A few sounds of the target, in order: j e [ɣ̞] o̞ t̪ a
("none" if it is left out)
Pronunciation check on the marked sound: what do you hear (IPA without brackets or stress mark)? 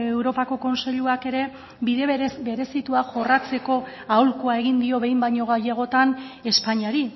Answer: ɣ̞